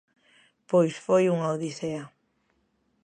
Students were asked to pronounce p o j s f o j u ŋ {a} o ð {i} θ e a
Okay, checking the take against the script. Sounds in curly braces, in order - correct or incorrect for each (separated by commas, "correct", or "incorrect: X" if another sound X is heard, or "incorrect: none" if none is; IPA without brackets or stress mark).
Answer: correct, correct